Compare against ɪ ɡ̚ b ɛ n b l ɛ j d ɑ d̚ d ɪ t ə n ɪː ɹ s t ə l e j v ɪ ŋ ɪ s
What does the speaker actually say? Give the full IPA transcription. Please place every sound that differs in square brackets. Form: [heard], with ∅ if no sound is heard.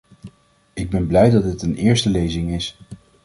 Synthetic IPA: ɪ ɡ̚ b ɛ n b l ɛ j d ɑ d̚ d ɪ t ə n ɪː ɹ s t ə l e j [z] ɪ ŋ ɪ s